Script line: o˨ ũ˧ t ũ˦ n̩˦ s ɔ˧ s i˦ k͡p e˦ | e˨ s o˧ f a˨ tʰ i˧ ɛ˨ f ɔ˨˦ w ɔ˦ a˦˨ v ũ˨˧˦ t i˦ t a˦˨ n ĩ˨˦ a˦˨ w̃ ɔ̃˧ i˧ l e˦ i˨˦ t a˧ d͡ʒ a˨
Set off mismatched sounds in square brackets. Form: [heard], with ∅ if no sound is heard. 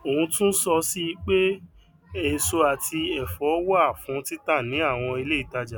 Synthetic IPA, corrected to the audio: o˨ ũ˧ t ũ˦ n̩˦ s ɔ˧ s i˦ k͡p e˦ | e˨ s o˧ [∅] a˨ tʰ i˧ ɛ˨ f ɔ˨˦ w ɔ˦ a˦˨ [f] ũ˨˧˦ t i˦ t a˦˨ n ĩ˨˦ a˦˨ w̃ ɔ̃˧ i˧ l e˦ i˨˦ t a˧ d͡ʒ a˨